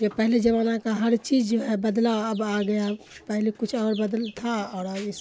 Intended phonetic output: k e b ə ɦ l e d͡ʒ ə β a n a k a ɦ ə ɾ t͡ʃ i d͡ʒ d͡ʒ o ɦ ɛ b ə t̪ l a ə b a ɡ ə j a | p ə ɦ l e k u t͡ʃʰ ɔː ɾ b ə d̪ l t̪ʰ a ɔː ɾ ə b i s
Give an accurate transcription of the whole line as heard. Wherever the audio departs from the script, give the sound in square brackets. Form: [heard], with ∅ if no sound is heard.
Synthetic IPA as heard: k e [p] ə ɦ l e d͡ʒ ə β a n a k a ɦ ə ɾ t͡ʃ i d͡ʒ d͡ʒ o ɦ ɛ b ə [d̪] l a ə b a ɡ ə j a | p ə ɦ l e k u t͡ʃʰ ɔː ɾ b ə d̪ l t̪ʰ a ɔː ɾ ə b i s